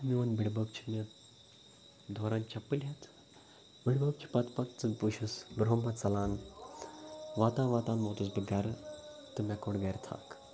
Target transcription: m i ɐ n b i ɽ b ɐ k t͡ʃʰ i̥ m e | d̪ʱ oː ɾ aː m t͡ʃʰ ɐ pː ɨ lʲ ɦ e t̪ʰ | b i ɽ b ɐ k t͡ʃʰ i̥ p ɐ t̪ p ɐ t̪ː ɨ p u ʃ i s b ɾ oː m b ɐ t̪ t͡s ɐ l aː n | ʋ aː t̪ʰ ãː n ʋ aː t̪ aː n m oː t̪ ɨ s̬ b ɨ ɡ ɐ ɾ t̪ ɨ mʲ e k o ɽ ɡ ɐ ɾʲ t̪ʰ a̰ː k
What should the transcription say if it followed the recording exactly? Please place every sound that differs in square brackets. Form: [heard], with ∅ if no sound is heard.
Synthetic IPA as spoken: m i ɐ n b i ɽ b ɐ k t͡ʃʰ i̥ m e | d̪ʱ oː ɾ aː [n] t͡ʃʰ ɐ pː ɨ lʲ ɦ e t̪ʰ | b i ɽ b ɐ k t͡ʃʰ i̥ p ɐ t̪ p ɐ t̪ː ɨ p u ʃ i s b ɾ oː m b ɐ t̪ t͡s ɐ l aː n | ʋ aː [t̪] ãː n ʋ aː t̪ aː n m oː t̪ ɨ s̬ b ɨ ɡ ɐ ɾ t̪ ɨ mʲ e k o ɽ ɡ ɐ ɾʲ t̪ʰ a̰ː k